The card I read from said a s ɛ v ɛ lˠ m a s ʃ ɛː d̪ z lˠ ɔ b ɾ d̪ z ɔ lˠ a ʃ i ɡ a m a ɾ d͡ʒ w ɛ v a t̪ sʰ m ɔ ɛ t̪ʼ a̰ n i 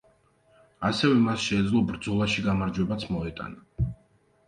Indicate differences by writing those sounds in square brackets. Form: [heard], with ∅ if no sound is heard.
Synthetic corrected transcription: a s ɛ v ɛ [∅] m a s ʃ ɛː d̪ z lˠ ɔ b ɾ d̪ z ɔ lˠ a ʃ i ɡ a m a ɾ d͡ʒ w ɛ [b] a t̪ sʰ m ɔ ɛ t̪ʼ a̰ n [a]

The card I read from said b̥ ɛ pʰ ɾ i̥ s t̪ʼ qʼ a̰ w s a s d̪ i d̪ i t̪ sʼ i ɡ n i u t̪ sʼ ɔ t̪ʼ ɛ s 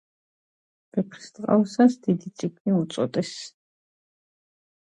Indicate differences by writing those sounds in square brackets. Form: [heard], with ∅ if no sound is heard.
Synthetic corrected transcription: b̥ ɛ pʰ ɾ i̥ s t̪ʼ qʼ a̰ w s a s d̪ i d̪ i t̪ sʼ i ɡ n i u t̪ sʼ ɔ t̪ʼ ɛ s

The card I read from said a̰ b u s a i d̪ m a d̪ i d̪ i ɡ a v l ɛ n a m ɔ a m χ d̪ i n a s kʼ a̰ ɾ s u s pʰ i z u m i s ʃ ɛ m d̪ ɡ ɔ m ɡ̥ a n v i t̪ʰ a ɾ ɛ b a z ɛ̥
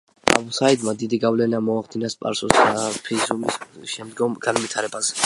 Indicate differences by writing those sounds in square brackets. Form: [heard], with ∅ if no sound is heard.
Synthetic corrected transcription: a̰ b u s a i d̪ m a d̪ i d̪ i ɡ a v l ɛ n a m ɔ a [∅] χ d̪ i n a s [pʼ] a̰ ɾ s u s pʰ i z u m i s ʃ ɛ m d̪ ɡ ɔ m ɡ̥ a n v i t̪ʰ a ɾ ɛ b a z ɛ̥

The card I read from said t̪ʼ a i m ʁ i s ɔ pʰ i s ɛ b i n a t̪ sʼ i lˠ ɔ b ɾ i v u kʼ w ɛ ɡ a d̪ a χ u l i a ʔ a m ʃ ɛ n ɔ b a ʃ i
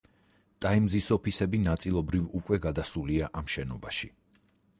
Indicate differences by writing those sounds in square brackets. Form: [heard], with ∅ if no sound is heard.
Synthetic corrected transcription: t̪ʼ a i m [z] i s ɔ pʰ i s ɛ b i n a t̪ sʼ i lˠ ɔ b ɾ i v u kʼ w ɛ ɡ a d̪ a [s] u l i a ʔ a m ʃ ɛ n ɔ b a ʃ i

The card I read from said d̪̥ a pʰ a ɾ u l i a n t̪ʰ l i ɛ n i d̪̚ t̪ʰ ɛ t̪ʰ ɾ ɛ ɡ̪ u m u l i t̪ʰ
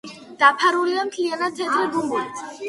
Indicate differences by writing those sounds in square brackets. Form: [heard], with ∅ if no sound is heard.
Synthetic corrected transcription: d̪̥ a pʰ a ɾ u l i a [m] t̪ʰ l i [a] n [a] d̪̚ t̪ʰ ɛ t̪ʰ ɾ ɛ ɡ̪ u m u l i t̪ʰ

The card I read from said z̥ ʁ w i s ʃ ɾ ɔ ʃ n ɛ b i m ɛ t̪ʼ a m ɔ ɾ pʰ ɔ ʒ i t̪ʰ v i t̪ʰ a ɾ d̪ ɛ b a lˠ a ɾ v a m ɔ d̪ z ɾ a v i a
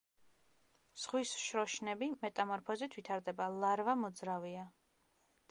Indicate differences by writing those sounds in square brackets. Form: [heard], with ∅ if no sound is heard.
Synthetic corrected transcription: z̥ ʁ w i s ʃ ɾ ɔ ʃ n ɛ b i m ɛ t̪ʼ a m ɔ ɾ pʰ ɔ [z] i t̪ʰ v i t̪ʰ a ɾ d̪ ɛ b a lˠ a ɾ v a m ɔ d̪ z ɾ a v i a

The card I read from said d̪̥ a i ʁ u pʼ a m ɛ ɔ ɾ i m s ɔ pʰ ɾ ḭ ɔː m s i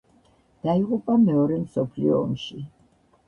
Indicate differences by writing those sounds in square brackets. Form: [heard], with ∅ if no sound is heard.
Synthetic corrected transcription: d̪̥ a i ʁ u pʼ a m ɛ ɔ ɾ [ɛ] m s ɔ pʰ [l] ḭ ɔː m [ʃ] i

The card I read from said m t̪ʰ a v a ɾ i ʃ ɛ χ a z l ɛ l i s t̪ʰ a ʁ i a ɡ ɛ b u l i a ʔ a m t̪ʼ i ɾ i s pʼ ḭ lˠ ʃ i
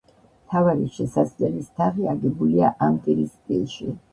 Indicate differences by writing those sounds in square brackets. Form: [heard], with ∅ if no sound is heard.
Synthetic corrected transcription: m t̪ʰ a v a ɾ i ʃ ɛ [s] a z l ɛ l i s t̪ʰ a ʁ i a ɡ ɛ b u l i a ʔ a m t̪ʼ i ɾ i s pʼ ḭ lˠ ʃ i

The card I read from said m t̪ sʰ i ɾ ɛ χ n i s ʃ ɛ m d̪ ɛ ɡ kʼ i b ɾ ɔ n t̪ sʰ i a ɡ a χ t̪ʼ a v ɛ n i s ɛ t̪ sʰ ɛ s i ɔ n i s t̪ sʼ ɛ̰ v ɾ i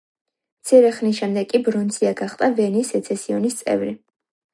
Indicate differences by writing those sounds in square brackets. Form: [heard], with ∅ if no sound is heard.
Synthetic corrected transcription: m t̪ sʰ i ɾ ɛ χ n i s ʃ ɛ m d̪ ɛ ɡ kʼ i b ɾ ɔ n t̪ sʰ i a ɡ a χ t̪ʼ a v ɛ n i s ɛ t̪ sʰ ɛ s i ɔ n i s t̪ sʼ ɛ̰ v ɾ i

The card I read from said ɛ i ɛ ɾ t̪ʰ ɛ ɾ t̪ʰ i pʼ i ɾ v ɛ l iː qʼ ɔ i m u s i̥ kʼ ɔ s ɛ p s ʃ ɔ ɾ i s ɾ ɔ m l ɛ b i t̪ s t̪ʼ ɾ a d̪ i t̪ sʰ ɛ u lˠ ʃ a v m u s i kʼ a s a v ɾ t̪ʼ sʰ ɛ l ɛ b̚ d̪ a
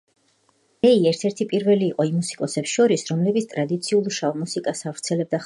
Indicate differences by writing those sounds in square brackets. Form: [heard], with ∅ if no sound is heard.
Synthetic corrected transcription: ɛ i ɛ ɾ t̪ʰ ɛ ɾ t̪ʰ i pʼ i ɾ v ɛ l iː qʼ ɔ i m u s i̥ kʼ ɔ s ɛ p s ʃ ɔ ɾ i s ɾ ɔ m l ɛ b i t̪ s t̪ʼ ɾ a d̪ i t̪ sʰ [i] u lˠ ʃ a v m u s i kʼ a s a v ɾ [t̪] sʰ ɛ l ɛ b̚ d̪ a

